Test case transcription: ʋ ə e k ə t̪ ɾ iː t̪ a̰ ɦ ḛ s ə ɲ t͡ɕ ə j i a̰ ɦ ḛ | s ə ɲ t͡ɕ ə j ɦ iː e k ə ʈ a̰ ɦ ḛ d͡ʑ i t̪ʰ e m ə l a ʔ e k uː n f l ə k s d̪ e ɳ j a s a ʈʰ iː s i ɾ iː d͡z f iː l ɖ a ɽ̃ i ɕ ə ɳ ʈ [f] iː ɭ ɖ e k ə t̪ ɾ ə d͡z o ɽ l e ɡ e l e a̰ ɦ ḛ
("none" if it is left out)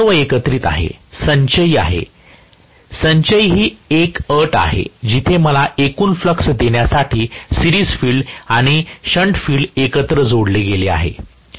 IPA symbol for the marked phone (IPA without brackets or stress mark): f